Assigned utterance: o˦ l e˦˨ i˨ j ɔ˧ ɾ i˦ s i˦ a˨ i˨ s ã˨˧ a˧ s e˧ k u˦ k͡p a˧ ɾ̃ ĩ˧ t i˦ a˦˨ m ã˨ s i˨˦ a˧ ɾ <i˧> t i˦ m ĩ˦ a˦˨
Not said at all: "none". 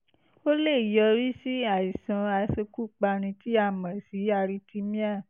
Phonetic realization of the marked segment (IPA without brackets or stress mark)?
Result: i˧